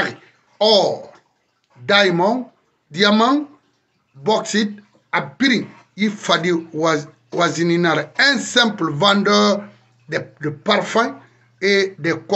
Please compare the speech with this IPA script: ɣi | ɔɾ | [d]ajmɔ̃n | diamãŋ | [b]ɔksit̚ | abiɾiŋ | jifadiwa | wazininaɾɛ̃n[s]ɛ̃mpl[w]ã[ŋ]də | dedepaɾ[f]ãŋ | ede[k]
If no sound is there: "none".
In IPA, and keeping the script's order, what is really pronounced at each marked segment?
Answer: d, b, s, v, n, f, k

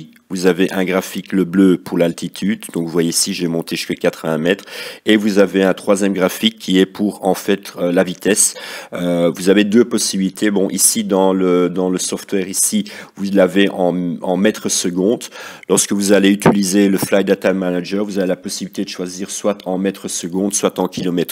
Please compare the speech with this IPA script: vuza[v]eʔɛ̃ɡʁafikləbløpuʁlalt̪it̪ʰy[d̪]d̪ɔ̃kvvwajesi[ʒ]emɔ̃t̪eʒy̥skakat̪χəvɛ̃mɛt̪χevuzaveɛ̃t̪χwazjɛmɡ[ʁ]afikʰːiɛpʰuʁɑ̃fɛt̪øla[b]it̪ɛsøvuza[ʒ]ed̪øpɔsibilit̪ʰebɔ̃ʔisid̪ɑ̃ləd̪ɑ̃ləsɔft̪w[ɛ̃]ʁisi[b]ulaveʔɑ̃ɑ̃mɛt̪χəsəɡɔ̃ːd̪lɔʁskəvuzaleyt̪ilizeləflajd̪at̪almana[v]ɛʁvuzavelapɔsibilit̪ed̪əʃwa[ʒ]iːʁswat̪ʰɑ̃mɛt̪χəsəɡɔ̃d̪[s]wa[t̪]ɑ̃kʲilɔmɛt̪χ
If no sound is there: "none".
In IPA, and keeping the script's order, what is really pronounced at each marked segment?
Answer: v, d̪, ʒ, ʁ, v, v, ɛ, v, ʒ, z, s, t̪

